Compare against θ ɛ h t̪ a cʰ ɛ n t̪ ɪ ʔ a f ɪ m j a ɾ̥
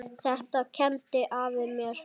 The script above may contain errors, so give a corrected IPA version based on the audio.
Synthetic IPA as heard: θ ɛ h t̪ a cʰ ɛ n t̪ ɪ ʔ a v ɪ m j ɛ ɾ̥